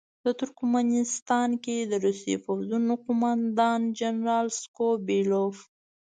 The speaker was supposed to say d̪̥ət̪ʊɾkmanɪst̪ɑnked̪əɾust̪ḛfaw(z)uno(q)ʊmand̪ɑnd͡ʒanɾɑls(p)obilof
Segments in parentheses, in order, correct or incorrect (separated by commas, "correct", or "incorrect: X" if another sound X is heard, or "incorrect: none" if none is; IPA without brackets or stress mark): correct, correct, incorrect: k